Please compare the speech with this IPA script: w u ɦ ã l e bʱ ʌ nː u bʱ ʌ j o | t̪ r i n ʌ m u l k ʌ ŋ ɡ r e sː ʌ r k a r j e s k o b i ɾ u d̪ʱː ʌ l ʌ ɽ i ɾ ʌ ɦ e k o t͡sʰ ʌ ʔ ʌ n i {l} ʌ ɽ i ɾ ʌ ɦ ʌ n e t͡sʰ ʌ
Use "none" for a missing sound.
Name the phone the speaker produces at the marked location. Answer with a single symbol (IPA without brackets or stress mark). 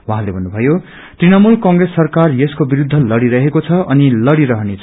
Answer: l